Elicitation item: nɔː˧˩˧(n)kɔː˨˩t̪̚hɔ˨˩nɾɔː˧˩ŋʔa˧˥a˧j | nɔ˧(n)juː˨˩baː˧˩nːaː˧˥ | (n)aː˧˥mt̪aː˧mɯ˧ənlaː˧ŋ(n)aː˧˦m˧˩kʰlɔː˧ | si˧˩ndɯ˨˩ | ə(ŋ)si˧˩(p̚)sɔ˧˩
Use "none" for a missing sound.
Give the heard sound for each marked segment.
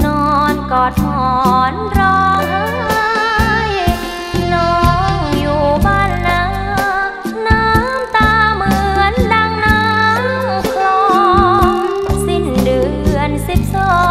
n, ŋ, n, n, n, p̚

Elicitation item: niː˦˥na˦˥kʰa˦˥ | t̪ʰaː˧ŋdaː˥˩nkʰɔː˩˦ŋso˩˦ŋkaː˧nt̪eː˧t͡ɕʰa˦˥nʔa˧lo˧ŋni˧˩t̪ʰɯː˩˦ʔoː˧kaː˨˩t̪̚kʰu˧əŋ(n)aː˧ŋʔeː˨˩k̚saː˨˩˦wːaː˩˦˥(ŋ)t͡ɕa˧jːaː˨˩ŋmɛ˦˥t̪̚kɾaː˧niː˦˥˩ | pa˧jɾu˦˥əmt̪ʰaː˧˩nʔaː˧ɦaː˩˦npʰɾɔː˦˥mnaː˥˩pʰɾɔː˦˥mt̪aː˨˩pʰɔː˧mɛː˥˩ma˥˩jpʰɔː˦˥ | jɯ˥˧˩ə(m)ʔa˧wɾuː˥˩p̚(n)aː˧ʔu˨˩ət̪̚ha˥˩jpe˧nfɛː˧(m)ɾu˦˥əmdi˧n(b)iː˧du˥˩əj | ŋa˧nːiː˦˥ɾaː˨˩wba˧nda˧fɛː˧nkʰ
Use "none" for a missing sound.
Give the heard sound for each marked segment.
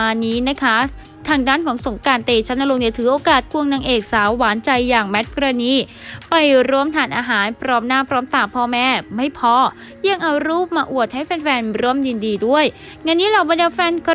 n, n, ŋ, m, n, d

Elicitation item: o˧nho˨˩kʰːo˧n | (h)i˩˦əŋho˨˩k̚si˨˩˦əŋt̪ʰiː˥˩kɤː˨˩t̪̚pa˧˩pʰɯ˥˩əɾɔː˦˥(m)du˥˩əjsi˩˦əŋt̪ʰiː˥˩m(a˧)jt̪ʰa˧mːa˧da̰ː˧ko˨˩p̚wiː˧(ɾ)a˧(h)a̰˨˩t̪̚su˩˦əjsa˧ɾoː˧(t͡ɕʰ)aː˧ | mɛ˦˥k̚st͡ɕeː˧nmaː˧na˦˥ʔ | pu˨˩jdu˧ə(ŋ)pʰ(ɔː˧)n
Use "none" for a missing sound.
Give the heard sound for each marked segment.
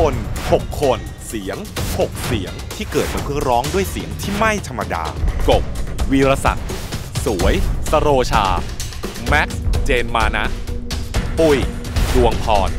s, ŋ, a˥˩, ɾ, s, t͡ɕʰ, ŋ, ɔː˧

